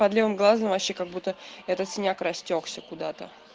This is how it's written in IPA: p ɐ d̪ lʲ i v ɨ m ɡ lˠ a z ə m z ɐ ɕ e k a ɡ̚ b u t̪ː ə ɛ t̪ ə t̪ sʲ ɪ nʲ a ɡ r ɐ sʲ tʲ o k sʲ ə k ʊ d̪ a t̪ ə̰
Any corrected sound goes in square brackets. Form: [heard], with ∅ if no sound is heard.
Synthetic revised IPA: p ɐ d̪ lʲ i v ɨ m ɡ lˠ a z ə m [v] ɐ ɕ e k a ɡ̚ b u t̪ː ə ɛ t̪ ə t̪ sʲ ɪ nʲ a [k] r ɐ sʲ tʲ o k sʲ ə k ʊ d̪ a t̪ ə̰